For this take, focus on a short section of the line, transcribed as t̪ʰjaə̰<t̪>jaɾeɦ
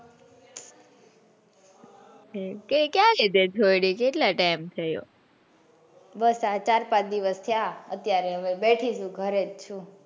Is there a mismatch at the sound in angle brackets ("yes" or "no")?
no